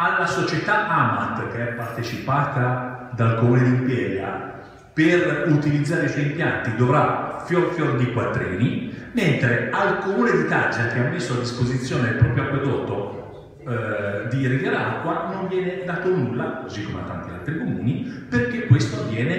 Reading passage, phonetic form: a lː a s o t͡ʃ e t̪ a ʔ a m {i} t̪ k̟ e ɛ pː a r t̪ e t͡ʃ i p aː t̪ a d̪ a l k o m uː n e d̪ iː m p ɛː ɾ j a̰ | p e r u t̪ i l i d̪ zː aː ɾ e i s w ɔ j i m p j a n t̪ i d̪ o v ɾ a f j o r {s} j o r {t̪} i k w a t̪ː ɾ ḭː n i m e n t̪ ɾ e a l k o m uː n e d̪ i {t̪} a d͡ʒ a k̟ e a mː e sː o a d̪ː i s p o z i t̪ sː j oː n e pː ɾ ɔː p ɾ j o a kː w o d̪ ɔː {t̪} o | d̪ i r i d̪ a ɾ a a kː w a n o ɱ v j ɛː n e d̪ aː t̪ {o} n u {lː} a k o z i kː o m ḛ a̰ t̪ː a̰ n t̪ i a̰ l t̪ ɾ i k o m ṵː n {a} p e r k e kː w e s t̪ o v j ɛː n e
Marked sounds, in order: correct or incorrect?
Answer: incorrect, incorrect, incorrect, correct, correct, correct, correct, incorrect

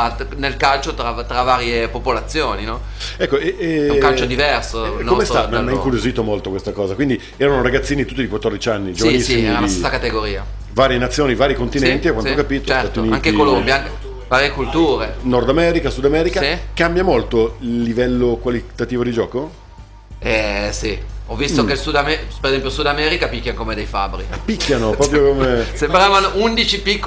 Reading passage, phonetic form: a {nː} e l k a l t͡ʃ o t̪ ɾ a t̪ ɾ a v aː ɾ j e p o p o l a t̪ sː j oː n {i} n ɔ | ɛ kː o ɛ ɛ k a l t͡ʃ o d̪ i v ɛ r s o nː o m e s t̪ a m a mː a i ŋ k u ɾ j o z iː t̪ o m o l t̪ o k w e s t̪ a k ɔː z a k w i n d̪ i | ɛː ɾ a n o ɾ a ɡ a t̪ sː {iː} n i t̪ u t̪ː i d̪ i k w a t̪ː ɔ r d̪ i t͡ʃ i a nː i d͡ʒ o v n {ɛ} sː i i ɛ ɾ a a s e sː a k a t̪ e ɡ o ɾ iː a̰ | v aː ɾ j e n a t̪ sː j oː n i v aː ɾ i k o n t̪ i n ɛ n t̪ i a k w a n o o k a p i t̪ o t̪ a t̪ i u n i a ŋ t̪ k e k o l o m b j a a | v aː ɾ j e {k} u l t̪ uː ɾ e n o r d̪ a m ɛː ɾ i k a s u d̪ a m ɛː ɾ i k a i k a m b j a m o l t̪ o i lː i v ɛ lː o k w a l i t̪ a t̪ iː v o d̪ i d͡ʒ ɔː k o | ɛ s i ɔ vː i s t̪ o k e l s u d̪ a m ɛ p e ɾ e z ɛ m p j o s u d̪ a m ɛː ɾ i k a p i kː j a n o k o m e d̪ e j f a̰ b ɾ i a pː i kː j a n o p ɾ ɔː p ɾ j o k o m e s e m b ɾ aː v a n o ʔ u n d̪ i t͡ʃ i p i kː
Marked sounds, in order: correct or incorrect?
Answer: incorrect, correct, correct, incorrect, correct

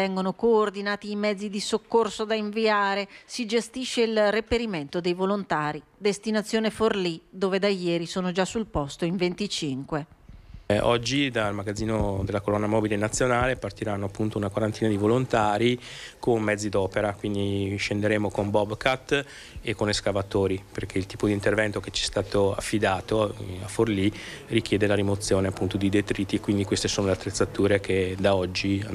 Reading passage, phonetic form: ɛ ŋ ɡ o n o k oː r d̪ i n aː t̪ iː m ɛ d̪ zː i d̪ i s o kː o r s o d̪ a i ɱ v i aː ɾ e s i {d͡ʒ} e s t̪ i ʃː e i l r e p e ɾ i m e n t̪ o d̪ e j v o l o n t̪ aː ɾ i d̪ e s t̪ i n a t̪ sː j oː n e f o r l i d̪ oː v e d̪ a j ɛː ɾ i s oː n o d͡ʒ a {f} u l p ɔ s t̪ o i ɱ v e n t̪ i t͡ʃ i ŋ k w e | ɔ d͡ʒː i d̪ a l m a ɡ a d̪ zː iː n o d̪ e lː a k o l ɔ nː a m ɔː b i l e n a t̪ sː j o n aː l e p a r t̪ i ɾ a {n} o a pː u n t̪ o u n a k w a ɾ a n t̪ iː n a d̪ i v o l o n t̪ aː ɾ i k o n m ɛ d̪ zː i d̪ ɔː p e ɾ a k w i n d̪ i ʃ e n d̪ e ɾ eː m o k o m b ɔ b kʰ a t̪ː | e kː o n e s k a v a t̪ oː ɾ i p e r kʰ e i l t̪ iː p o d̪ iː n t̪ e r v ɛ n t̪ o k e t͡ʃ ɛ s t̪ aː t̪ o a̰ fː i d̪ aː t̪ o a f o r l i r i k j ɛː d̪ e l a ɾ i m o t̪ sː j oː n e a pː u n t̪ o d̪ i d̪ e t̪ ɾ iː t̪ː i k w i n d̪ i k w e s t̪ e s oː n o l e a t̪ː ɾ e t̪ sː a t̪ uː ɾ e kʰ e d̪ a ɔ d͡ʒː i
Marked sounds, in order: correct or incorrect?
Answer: correct, incorrect, incorrect

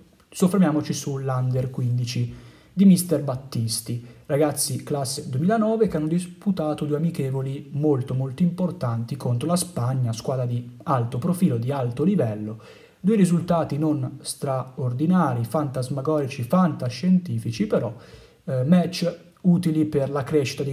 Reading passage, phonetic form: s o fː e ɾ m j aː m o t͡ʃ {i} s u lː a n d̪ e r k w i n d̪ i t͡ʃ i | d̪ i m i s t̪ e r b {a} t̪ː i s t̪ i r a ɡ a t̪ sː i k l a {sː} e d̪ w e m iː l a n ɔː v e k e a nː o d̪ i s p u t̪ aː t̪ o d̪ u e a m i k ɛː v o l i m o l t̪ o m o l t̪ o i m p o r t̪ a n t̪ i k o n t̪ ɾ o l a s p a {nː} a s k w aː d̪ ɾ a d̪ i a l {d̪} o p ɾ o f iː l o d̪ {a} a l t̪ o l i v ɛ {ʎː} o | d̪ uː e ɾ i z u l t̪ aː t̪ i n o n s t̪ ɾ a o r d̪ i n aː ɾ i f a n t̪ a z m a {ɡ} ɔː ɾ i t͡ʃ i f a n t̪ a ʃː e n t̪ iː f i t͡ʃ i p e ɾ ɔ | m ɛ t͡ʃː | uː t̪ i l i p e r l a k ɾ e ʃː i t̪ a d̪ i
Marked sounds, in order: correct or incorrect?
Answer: correct, correct, correct, incorrect, incorrect, incorrect, incorrect, correct

